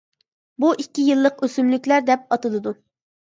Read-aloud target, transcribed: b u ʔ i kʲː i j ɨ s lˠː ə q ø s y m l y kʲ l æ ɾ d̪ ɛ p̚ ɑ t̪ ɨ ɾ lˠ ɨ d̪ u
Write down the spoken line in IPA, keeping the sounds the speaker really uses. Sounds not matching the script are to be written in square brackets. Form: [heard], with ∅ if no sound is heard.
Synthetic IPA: b u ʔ i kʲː i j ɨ [∅] lˠː ə q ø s y m l y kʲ l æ ɾ d̪ ɛ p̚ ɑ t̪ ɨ [∅] lˠ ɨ d̪ u